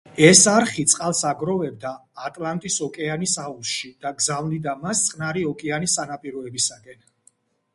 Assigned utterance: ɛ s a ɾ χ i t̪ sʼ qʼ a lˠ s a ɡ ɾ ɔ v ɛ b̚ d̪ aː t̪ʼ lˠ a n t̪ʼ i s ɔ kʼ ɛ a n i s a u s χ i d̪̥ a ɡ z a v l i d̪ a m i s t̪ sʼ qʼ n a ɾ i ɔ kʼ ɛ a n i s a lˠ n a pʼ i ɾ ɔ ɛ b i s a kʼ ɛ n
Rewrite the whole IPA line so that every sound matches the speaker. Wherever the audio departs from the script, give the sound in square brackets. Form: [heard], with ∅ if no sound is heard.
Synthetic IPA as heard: ɛ s a ɾ χ i t̪ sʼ qʼ a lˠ s a ɡ ɾ ɔ v ɛ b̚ d̪ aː t̪ʼ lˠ a n t̪ʼ i s ɔ kʼ ɛ a n i s a u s [ʃ] i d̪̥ a ɡ z a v l i d̪ a m [a] s t̪ sʼ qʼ n a ɾ i ɔ kʼ ɛ a n i s a [∅] n a pʼ i ɾ ɔ ɛ b i s a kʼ ɛ n

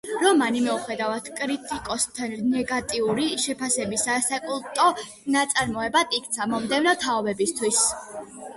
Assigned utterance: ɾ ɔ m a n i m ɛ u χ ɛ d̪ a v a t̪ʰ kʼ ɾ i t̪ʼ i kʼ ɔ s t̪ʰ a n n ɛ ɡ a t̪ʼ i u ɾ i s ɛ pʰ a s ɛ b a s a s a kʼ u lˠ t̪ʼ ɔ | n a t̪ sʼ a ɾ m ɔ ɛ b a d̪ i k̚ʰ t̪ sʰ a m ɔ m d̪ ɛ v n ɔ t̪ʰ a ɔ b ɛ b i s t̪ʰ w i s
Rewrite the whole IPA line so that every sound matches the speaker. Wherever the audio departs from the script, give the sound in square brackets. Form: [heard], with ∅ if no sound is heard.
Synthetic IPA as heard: ɾ ɔ m a n i m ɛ u χ ɛ d̪ a v a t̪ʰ kʼ ɾ i t̪ʼ i kʼ ɔ s t̪ʰ a n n ɛ ɡ a t̪ʼ i u ɾ i [ʃ] ɛ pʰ a s ɛ b [i] s a s a kʼ u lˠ t̪ʼ ɔ | n a t̪ sʼ a ɾ m ɔ ɛ b a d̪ i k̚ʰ t̪ sʰ a m ɔ m d̪ ɛ v n ɔ t̪ʰ a ɔ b ɛ b i s t̪ʰ w i s

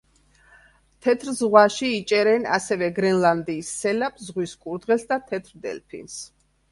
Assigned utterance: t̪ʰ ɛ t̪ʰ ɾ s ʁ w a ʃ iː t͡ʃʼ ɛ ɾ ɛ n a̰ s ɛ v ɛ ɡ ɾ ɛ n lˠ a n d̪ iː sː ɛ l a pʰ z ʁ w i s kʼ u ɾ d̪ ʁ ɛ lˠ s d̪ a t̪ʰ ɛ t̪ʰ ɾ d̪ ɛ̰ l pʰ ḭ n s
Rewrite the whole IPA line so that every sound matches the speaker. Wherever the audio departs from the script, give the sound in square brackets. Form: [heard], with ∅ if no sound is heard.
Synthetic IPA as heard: t̪ʰ ɛ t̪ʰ ɾ [z] ʁ w a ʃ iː t͡ʃʼ ɛ ɾ ɛ n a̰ s ɛ v ɛ ɡ ɾ ɛ n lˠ a n d̪ iː sː ɛ l a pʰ z ʁ w i s kʼ u ɾ d̪ ʁ ɛ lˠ s d̪ a t̪ʰ ɛ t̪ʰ ɾ d̪ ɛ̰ l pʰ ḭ n s

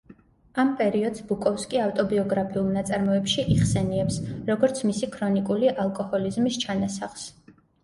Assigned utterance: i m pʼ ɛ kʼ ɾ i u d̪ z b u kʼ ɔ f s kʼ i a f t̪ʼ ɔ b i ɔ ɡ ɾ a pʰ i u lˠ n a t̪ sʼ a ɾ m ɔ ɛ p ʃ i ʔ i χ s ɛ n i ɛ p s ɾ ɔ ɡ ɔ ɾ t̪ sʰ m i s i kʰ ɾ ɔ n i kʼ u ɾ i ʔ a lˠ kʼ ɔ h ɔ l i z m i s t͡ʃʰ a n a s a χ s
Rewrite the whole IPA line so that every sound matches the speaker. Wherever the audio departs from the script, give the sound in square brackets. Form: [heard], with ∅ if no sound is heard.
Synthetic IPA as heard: [a] m pʼ ɛ [∅] ɾ i [ɔ] d̪ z b u kʼ ɔ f s kʼ i a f t̪ʼ ɔ b i ɔ ɡ ɾ a pʰ i u lˠ n a t̪ sʼ a ɾ m ɔ ɛ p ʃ i ʔ i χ s ɛ n i ɛ p s ɾ ɔ ɡ ɔ ɾ t̪ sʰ m i s i kʰ ɾ ɔ n i kʼ u [l] i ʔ a lˠ kʼ ɔ h ɔ l i z m i s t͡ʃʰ a n a s a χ s

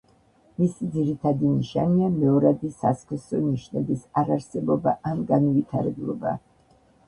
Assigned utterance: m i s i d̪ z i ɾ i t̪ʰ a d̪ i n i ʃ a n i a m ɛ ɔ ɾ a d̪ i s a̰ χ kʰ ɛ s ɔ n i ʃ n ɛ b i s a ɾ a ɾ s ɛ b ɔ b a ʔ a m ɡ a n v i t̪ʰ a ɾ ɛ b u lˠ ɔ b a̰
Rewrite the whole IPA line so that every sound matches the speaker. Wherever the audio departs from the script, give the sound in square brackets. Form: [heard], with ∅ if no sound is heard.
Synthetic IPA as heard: m i s i d̪ z i ɾ i t̪ʰ a d̪ i n i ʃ a n i a m ɛ ɔ ɾ a d̪ i s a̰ [s] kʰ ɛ s ɔ n i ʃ n ɛ b i s a ɾ a ɾ s ɛ b ɔ b a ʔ a m ɡ a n v i t̪ʰ a ɾ ɛ b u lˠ ɔ b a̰

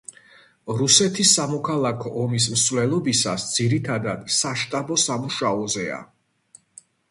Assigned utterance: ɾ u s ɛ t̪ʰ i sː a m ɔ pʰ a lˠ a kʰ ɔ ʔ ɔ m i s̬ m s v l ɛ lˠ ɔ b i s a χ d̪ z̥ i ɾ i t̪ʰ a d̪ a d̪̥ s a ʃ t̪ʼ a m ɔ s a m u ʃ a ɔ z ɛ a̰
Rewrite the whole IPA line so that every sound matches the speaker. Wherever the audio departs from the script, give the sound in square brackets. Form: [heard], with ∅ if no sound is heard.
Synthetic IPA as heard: ɾ u s ɛ t̪ʰ i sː a m ɔ [kʰ] a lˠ a kʰ ɔ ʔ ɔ m i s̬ m s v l ɛ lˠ ɔ b i s a [s] d̪ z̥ i ɾ i t̪ʰ a d̪ a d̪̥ s a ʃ t̪ʼ a [b] ɔ s a m u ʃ a ɔ z ɛ a̰

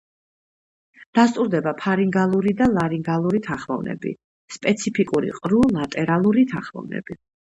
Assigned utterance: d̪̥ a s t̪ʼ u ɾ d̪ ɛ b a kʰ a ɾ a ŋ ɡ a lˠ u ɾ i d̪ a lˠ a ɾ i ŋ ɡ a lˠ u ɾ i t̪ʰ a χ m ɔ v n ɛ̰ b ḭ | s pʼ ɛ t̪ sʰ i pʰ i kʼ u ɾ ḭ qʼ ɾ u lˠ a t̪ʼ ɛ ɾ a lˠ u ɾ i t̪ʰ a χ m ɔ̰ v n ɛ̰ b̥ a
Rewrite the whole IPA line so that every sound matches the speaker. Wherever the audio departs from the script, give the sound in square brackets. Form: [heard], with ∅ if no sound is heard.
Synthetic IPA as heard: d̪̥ a s t̪ʼ u ɾ d̪ ɛ b a [pʰ] a ɾ [i] ŋ ɡ a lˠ u ɾ i d̪ a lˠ a ɾ i ŋ ɡ a lˠ u ɾ i t̪ʰ a χ m ɔ v n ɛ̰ b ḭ | s pʼ ɛ t̪ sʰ i pʰ i kʼ u ɾ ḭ qʼ ɾ u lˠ a t̪ʼ ɛ ɾ a lˠ u ɾ i t̪ʰ a χ m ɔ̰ v n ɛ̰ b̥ [i]

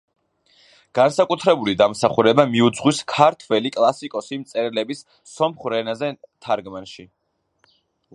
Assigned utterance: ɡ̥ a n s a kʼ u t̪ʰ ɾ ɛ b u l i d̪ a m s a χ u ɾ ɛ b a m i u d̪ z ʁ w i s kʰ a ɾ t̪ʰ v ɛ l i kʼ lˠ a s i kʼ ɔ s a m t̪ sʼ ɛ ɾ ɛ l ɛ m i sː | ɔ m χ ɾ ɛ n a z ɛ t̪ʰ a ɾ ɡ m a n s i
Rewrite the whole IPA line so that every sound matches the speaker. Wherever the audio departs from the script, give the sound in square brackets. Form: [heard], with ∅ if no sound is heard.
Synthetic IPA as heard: ɡ̥ a n s a kʼ u t̪ʰ ɾ ɛ b u l i d̪ a m s a χ u ɾ ɛ b a m i u d̪ z ʁ w i s kʰ a ɾ t̪ʰ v ɛ l i kʼ lˠ a s i kʼ ɔ s [i] m t̪ sʼ ɛ ɾ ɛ l ɛ [b] i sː | ɔ m χ ɾ ɛ n a z ɛ t̪ʰ a ɾ ɡ m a n [ʃ] i

